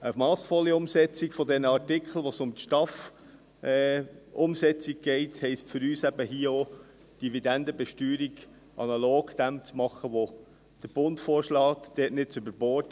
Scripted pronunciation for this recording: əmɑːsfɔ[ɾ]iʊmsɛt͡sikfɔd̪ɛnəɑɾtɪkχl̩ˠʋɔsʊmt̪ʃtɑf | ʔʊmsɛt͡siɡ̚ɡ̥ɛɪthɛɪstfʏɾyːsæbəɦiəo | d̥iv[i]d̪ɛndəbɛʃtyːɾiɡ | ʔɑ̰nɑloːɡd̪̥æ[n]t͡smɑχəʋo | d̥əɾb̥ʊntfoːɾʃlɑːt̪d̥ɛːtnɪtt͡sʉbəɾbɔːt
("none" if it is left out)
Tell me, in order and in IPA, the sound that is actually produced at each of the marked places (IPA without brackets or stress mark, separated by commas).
l, i, m